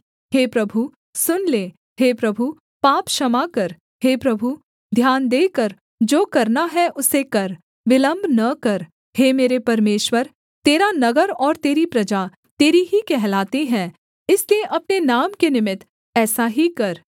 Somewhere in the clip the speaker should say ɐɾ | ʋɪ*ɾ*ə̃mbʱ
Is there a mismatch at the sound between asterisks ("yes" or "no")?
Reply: yes